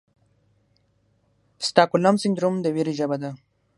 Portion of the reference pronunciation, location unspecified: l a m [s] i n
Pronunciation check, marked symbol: correct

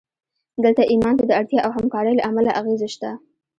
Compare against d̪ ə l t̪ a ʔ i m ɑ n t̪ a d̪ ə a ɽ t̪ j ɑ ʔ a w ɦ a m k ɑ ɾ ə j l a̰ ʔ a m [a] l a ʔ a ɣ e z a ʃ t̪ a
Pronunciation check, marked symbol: correct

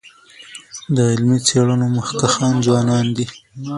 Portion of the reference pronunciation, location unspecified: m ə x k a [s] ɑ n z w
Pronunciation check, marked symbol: incorrect: x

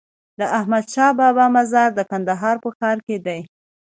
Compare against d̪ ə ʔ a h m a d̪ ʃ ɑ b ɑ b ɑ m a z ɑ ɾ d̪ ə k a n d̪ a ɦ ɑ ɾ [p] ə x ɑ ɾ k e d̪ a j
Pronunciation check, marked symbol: correct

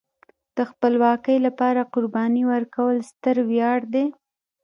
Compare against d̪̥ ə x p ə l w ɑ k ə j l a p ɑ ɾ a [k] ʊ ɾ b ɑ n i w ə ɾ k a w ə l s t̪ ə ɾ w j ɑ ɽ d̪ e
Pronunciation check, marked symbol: incorrect: q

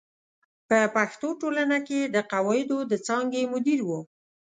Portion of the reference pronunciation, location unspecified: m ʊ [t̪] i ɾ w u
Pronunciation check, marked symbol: incorrect: d̪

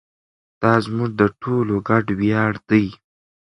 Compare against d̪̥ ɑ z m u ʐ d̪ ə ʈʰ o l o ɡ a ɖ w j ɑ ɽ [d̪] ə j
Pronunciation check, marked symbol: correct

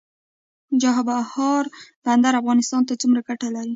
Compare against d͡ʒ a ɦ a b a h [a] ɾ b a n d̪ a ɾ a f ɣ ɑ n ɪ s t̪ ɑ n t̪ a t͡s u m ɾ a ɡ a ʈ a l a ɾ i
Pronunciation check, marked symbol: incorrect: ɑ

